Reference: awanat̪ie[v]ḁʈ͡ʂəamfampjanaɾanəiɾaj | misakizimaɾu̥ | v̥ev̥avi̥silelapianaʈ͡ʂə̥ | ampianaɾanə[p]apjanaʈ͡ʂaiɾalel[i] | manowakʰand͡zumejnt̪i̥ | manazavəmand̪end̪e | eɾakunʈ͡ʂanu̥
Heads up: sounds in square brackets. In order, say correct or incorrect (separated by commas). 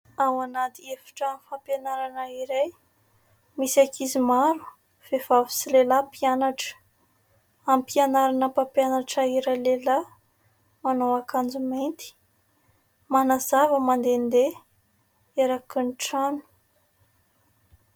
incorrect, correct, incorrect